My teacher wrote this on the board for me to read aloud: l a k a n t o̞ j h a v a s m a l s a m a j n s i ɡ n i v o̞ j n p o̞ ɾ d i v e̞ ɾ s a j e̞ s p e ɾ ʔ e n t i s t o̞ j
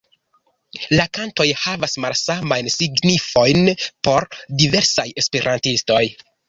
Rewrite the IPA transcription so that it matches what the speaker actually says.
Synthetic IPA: l a k a n t o̞ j h a v a s m a l s a m a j n s i ɡ n i f o̞ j n p o̞ ɾ d i v e̞ ɾ s a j e̞ s p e ɾ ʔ a n t i s t o̞ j